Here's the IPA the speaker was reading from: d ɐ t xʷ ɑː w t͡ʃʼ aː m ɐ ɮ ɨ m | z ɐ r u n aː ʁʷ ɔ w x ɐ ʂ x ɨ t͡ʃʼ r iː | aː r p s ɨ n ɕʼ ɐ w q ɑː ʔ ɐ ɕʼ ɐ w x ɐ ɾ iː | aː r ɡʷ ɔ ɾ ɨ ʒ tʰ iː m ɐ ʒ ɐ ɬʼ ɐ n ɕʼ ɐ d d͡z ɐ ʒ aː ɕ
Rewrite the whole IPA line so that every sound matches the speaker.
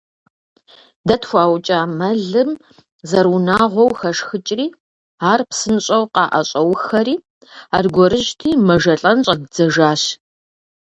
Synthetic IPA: d ɐ t xʷ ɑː w t͡ʃʼ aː m ɐ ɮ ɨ m | z ɐ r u n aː ʁʷ ɔ w x ɐ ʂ x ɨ t͡ʃʼ r iː | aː r p s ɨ n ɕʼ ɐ w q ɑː ʔ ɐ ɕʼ ɐ w x ɐ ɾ iː | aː r ɡʷ ɔ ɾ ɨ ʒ tʰ iː m ɐ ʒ ɐ ɬʼ ɐ n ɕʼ ɐ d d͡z ɐ ʒ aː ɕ

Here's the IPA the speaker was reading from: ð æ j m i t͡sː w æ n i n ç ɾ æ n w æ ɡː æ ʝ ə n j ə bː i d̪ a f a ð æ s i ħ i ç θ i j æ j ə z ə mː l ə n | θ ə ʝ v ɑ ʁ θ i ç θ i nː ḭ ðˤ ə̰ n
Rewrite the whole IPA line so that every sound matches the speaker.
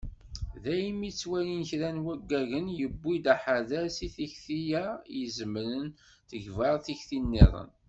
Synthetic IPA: ð æ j m i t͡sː w æ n i n ç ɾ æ n w æ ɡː æ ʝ ə n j ə bː i d̪ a ħ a ð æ s i θ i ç θ i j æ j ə z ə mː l ə n | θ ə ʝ v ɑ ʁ θ i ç θ i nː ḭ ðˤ ə̰ n

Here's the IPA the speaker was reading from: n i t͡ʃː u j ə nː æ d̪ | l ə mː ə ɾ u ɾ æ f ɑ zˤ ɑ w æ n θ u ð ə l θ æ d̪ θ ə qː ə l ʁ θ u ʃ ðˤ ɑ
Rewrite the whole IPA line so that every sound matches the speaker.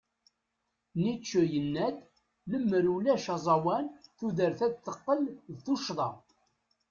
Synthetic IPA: n i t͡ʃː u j ə nː æ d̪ | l ə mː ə ɾ u l æ ʃ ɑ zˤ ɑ w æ n θ u ð ə ɾ θ æ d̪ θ ə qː ə l ð θ u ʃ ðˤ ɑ

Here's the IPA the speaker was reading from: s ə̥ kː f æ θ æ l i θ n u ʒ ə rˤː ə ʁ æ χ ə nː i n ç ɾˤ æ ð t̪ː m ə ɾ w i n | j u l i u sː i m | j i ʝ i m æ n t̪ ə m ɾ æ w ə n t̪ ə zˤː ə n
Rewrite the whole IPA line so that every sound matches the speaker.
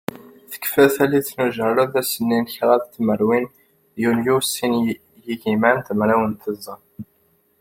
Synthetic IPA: θ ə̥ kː f æ θ æ l i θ n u ʒ ə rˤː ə ð æ s ə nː i n ç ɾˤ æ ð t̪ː m ə ɾ w i n | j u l j u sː i n | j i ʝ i m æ n t̪ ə m ɾ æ w ə n t̪ ə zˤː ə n

